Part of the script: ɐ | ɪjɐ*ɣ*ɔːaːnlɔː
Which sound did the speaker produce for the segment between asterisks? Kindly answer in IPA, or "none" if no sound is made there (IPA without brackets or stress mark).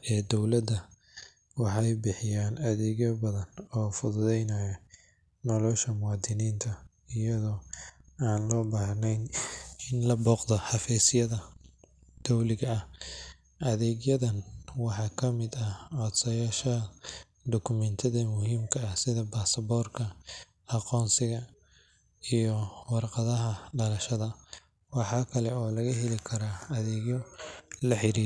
ð